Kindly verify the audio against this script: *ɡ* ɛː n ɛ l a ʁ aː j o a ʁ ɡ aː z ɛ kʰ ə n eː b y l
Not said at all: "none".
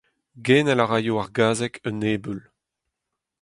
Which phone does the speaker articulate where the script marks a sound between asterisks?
ɡ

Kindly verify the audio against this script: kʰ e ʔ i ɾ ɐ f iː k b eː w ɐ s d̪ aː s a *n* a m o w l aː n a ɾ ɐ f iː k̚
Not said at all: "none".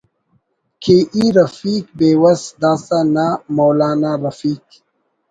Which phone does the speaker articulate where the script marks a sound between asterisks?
n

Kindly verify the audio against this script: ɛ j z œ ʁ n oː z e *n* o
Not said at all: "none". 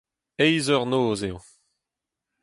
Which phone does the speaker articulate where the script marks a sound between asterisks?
none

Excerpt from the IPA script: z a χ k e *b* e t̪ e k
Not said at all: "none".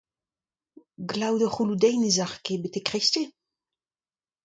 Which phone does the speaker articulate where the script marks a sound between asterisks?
b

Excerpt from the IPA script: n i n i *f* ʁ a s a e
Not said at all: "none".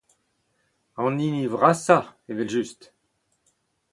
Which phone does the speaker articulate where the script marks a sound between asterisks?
v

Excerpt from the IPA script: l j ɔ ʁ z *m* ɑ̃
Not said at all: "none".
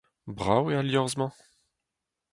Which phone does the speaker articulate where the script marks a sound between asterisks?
m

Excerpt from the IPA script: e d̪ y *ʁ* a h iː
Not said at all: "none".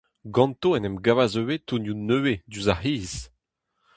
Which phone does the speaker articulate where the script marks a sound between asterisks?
z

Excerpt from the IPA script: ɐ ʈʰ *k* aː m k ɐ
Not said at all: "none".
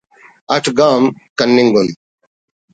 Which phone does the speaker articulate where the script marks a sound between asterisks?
ɡ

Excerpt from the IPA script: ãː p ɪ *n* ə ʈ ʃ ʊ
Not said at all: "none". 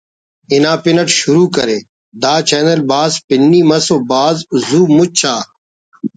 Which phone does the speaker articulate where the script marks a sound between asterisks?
n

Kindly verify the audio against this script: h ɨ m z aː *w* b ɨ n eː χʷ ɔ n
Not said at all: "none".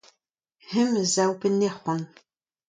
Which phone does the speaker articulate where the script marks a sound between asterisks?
w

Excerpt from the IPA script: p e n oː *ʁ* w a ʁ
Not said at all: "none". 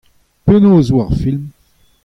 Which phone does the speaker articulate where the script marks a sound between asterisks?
z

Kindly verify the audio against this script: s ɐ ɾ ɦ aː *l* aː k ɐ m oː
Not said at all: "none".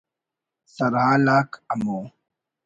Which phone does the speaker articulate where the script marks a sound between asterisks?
l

